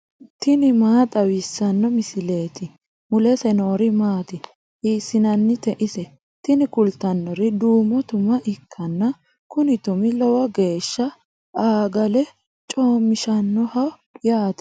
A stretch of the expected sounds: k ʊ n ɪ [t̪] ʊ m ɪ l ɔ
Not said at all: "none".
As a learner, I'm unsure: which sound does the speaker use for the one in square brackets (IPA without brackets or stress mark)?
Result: t̪